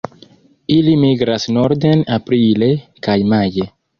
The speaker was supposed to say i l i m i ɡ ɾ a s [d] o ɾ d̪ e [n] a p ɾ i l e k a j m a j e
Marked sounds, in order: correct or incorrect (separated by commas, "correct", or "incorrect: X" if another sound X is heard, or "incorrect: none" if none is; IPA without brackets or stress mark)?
incorrect: n, correct